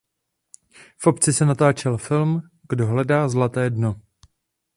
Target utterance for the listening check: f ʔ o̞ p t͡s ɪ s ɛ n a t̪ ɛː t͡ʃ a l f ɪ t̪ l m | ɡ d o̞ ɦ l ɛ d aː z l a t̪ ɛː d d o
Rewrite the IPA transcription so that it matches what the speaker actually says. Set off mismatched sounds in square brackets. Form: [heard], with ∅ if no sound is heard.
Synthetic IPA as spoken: f ʔ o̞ p t͡s ɪ s ɛ n a t̪ [aː] t͡ʃ [ɛ] l f ɪ [∅] l m | ɡ d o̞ ɦ l ɛ d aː z l a t̪ ɛː d [n] o